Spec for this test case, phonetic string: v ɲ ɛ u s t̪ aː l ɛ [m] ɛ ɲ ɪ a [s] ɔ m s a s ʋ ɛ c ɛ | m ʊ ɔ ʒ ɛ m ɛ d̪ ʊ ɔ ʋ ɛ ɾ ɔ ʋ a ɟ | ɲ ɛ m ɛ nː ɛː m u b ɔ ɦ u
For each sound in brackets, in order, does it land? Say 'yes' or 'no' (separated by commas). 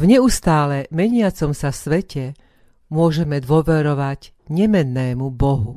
yes, no